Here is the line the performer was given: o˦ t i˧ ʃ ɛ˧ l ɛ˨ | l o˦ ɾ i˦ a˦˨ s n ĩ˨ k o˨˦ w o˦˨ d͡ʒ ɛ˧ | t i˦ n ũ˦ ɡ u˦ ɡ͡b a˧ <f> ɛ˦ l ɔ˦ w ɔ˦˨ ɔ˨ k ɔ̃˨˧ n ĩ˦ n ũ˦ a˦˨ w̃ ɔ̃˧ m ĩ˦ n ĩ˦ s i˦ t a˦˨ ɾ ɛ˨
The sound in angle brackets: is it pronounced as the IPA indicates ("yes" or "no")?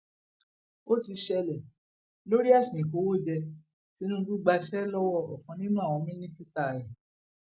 no